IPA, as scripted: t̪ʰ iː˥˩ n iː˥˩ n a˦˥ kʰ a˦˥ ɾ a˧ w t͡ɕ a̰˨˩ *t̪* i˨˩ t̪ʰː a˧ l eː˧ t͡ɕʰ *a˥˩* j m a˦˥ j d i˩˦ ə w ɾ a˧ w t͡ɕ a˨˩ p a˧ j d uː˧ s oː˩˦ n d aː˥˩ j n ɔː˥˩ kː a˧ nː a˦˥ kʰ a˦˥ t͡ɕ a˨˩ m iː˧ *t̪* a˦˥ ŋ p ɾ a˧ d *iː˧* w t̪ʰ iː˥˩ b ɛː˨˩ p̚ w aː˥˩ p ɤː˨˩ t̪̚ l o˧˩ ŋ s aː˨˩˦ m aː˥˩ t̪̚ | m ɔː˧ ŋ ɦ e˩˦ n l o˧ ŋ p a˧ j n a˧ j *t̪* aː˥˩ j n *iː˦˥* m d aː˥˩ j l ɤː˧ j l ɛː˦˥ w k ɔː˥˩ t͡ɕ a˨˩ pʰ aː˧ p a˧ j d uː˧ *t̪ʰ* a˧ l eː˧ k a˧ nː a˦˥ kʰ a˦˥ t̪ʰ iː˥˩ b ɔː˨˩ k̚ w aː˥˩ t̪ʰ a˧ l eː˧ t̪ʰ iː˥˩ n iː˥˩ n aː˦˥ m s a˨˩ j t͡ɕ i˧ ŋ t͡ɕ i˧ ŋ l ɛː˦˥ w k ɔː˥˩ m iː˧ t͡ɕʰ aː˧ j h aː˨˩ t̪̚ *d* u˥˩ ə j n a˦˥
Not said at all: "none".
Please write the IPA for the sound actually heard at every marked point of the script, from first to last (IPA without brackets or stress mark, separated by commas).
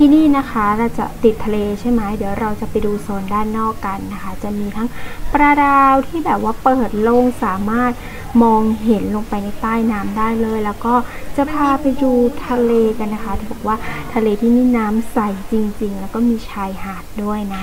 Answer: t̪, a˥˩, t̪ʰ, aː˧, t̪, aː˦˥, t̪ʰ, d